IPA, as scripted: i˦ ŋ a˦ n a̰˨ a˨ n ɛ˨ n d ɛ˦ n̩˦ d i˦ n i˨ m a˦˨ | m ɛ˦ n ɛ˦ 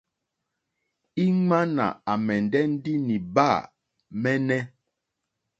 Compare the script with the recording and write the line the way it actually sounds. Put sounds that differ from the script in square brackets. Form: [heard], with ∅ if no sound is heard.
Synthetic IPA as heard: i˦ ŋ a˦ n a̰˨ a˨ [m] ɛ˨ n d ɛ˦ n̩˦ d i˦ n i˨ [b] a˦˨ | m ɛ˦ n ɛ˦